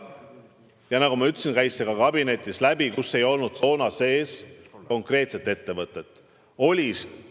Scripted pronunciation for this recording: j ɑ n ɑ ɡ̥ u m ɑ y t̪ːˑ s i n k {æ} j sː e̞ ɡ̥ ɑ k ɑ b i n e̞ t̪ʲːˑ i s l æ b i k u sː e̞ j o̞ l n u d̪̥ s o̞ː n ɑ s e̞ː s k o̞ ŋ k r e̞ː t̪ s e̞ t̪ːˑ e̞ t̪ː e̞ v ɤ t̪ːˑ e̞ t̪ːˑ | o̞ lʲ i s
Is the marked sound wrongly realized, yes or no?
no